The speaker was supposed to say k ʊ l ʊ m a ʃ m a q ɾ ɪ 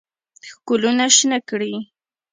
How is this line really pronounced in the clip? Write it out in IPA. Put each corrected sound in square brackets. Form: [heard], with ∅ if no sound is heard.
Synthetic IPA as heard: k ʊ l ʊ [n] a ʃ [n] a [k] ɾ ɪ